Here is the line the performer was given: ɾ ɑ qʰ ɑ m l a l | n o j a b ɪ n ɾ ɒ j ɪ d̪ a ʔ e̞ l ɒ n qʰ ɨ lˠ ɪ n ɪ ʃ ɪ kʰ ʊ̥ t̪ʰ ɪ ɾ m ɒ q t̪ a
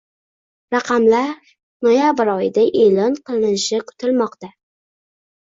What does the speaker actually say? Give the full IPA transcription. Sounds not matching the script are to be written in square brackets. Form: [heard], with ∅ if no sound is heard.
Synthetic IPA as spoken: ɾ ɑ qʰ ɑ m l a [ɾ] | n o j a b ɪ [∅] ɾ ɒ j ɪ d̪ a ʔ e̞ l ɒ n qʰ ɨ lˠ ɪ n ɪ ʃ ɪ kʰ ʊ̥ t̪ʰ ɪ [l] m ɒ q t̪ a